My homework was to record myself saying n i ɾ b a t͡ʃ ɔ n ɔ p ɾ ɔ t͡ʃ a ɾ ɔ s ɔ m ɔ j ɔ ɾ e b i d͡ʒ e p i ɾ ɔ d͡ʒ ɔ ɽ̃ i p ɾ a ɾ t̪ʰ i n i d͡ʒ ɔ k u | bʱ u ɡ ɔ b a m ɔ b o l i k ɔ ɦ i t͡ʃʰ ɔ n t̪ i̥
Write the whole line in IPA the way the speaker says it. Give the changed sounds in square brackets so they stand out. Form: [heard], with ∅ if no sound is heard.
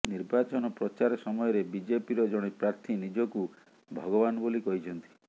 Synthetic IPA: n i ɾ b a t͡ʃ ɔ n ɔ p ɾ ɔ t͡ʃ a ɾ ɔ s ɔ m ɔ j ɔ ɾ e b i d͡ʒ e p i ɾ ɔ d͡ʒ ɔ ɽ̃ i p ɾ a ɾ t̪ʰ i n i d͡ʒ ɔ k u | bʱ [ɔ] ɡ ɔ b a [n] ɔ b o l i k ɔ ɦ i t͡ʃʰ ɔ n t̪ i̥